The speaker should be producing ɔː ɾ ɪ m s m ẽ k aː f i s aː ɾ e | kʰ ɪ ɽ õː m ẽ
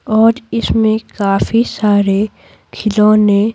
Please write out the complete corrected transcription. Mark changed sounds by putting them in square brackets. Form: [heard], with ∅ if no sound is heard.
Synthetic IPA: ɔː ɾ ɪ [∅] s m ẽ k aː f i s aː ɾ e | kʰ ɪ [l] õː [n] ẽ